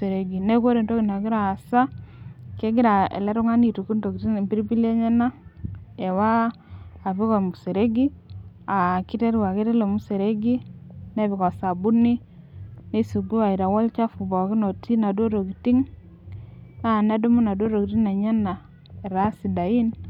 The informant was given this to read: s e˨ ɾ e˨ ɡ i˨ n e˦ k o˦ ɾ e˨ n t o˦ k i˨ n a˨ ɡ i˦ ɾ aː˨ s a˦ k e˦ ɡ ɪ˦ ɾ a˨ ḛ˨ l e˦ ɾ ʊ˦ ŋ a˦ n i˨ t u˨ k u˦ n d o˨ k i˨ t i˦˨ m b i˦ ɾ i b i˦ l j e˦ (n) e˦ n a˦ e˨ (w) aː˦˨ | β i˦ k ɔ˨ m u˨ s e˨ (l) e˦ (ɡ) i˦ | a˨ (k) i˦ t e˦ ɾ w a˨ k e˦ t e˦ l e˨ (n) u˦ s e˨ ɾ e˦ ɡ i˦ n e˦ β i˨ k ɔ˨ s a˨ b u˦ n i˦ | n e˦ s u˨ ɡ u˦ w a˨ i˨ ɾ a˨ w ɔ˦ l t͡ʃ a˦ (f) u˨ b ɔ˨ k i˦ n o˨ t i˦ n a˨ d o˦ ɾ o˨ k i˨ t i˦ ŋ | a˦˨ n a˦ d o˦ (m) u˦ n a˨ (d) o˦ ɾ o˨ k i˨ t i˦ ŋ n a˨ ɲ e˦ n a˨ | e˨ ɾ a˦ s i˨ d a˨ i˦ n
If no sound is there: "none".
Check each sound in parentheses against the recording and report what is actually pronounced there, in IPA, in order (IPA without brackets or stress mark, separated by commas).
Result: ɲ, w, ɾ, ɡ, k, m, f, m, d